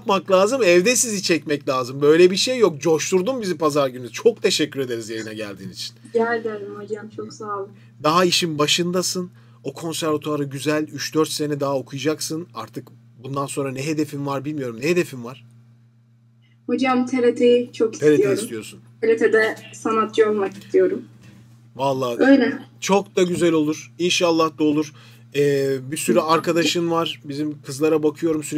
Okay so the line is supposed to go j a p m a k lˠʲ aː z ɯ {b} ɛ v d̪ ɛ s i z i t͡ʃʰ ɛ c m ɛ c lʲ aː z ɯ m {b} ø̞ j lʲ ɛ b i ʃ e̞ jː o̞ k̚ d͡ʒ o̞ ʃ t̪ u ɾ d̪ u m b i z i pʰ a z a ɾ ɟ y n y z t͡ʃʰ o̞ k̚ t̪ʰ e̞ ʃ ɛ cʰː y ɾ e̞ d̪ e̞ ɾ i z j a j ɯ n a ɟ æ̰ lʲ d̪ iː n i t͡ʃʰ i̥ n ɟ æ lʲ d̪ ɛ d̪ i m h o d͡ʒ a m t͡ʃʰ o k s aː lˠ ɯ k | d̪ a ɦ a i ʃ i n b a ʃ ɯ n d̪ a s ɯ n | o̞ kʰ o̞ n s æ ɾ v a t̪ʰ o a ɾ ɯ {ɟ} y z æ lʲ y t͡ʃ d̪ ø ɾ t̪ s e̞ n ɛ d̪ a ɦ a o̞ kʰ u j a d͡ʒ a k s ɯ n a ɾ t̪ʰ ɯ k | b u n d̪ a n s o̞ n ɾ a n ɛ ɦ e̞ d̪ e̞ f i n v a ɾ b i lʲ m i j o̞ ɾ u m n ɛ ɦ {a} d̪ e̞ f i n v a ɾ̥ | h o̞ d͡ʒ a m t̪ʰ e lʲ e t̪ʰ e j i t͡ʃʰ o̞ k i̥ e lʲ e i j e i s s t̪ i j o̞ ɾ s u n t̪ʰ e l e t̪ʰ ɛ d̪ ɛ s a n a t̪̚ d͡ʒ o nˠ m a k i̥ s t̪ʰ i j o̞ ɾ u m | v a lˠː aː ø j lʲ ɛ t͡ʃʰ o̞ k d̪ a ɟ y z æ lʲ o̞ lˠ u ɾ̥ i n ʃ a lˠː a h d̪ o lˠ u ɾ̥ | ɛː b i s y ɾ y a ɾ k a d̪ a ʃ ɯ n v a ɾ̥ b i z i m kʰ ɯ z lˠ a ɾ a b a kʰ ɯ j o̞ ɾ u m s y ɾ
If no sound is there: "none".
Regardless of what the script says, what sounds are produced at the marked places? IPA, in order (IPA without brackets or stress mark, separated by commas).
m, b, ɟ, e